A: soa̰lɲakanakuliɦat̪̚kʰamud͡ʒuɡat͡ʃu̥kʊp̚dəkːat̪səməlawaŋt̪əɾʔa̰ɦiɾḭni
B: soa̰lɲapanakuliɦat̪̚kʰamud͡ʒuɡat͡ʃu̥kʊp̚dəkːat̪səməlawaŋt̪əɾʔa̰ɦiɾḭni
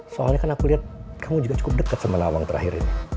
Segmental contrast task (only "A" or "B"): A